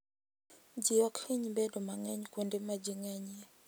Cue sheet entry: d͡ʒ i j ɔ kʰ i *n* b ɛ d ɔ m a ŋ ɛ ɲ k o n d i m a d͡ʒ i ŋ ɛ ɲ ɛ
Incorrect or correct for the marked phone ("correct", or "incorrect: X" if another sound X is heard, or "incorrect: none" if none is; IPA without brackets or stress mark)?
incorrect: ɲ